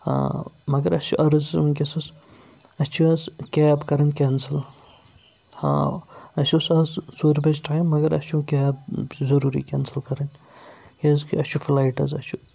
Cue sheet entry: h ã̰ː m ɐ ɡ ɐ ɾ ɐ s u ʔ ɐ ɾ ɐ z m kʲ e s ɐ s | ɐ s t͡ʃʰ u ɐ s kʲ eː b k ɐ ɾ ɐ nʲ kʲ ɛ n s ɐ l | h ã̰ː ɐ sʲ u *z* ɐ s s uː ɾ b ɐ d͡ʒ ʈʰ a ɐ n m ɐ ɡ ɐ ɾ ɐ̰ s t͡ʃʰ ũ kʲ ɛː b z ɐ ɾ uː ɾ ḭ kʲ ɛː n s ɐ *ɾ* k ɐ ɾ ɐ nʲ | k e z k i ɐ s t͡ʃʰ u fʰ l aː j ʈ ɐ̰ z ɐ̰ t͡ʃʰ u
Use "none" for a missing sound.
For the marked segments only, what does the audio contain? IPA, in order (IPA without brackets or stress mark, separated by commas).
s, l